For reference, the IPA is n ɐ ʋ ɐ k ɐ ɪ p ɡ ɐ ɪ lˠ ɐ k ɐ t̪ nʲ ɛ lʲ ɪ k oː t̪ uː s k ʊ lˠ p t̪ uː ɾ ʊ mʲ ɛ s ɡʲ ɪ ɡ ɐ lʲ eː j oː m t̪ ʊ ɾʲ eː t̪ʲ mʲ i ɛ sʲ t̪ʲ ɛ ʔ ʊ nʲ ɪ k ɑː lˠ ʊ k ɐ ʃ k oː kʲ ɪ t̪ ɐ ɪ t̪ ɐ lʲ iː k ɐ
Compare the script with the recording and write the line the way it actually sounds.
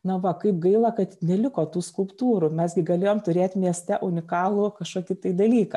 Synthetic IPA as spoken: n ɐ ʋ ɐ k ɐ ɪ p ɡ ɐ ɪ lˠ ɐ k ɐ t̪ nʲ ɛ lʲ ɪ k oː t̪ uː s k ʊ lˠ p t̪ uː ɾ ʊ mʲ ɛ s ɡʲ ɪ ɡ ɐ lʲ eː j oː m t̪ ʊ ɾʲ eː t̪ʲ mʲ i ɛ sʲ t̪ʲ ɛ ʔ ʊ nʲ ɪ k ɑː lˠ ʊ k ɐ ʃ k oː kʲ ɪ t̪ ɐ ɪ d̪ ɐ lʲ iː k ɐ